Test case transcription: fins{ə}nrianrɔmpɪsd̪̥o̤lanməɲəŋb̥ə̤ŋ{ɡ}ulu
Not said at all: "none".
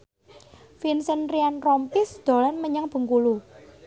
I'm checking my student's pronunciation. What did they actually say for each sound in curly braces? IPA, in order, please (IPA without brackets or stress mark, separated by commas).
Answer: ə, k